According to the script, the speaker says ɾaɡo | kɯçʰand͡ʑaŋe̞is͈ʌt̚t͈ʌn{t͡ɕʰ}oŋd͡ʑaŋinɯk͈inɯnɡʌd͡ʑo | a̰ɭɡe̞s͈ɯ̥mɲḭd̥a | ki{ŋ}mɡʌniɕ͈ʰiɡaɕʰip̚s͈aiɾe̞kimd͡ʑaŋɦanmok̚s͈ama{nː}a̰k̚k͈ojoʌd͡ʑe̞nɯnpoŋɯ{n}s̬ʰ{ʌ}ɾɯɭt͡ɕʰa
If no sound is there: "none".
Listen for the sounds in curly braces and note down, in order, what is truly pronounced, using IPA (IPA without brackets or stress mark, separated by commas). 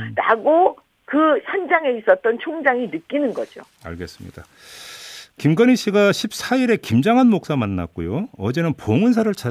t͡ɕʰ, none, nː, n, a